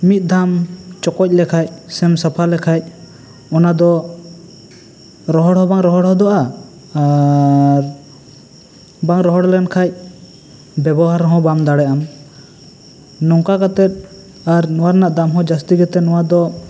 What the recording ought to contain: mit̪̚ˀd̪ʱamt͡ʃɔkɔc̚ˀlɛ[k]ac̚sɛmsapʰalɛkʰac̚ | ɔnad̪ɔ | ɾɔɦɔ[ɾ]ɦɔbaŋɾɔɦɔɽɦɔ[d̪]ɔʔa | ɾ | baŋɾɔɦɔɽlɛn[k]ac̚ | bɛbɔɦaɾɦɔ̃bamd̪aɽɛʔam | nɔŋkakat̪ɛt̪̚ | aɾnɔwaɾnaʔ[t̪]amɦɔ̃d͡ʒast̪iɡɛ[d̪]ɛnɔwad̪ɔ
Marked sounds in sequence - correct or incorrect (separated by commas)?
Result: incorrect, incorrect, correct, incorrect, incorrect, incorrect